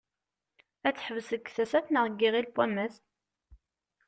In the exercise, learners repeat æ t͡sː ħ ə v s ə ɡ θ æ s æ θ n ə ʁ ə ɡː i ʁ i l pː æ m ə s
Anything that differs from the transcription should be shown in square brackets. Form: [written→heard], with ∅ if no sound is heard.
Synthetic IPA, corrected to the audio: æ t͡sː ħ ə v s ə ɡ θ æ s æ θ n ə ʁ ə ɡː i ʁ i l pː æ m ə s